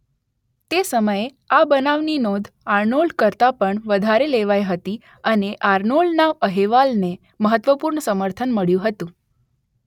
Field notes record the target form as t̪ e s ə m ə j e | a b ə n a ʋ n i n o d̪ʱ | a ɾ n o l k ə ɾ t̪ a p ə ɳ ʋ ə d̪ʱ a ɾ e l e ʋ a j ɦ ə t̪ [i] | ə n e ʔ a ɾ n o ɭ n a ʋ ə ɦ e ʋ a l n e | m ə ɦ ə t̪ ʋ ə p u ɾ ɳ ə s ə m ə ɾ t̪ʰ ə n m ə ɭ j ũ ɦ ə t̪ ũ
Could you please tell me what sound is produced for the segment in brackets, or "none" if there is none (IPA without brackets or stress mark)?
i